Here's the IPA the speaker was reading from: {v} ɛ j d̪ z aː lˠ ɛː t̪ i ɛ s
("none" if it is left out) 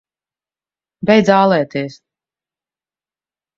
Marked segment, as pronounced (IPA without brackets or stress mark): b